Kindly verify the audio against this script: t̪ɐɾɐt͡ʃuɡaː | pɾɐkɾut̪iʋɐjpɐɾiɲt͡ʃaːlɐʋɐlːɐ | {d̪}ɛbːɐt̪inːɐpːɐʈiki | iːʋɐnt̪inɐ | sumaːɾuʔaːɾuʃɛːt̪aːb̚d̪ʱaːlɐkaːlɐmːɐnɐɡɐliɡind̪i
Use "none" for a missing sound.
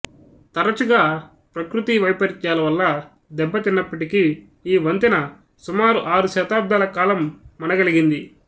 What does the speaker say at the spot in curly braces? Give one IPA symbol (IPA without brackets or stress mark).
d̪